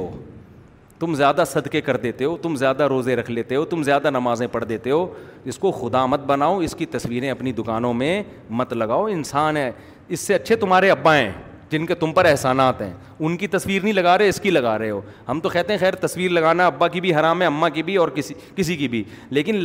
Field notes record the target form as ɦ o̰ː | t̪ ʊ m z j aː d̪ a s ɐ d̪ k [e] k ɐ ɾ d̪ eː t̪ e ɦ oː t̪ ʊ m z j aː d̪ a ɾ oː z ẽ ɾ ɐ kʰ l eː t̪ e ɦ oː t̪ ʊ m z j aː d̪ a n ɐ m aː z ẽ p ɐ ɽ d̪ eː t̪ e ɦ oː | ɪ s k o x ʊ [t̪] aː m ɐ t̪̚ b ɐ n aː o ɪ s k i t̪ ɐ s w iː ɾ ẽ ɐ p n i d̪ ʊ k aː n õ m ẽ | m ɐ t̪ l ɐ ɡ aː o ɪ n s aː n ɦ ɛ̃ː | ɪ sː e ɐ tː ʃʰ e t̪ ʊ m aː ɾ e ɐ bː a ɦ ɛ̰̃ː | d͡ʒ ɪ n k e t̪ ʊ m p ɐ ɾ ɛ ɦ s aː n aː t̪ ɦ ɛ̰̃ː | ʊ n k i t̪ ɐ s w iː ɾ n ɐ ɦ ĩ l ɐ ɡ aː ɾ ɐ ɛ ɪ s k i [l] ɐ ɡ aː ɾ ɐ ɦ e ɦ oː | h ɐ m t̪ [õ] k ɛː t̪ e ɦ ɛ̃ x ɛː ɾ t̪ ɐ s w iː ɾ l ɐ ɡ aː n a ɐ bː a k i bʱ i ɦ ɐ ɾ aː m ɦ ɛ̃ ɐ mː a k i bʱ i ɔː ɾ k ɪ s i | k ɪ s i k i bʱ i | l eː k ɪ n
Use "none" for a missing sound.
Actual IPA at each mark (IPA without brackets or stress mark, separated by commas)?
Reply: e, d̪, l, o